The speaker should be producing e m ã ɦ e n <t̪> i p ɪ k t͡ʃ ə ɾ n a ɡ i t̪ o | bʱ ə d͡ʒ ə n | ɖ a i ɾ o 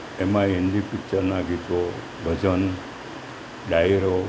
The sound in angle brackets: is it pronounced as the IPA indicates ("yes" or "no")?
no